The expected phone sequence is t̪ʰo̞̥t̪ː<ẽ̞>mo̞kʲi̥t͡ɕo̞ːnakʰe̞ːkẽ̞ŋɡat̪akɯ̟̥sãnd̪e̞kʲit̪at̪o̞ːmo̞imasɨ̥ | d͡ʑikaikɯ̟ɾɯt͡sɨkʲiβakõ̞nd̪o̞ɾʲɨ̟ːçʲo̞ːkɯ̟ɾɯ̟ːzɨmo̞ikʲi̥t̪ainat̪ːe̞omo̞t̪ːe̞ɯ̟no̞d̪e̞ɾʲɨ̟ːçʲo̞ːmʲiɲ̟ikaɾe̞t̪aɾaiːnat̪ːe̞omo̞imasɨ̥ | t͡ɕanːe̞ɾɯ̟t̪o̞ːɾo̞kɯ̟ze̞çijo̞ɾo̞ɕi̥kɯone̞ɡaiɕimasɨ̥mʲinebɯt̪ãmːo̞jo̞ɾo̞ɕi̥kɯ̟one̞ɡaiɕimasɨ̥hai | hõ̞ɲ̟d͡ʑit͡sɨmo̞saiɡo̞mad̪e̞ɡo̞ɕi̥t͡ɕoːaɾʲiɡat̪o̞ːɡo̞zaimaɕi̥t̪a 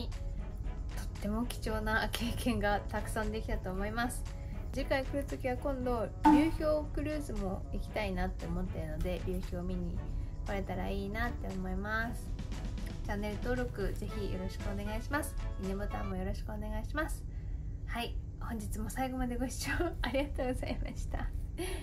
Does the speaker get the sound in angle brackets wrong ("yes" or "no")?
yes